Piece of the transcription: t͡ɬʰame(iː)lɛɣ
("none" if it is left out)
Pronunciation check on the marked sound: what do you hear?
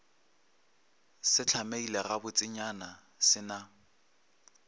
i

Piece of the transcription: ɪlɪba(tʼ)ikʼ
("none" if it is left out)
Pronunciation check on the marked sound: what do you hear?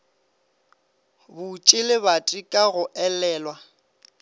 tʼ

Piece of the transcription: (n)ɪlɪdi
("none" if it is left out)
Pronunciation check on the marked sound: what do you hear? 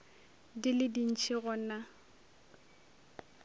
d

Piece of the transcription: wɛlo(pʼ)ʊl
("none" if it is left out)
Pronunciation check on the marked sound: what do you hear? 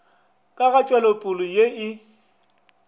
pʼ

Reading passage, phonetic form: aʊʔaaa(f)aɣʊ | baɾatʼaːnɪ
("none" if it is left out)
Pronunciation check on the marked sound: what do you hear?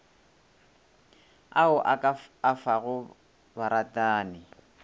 f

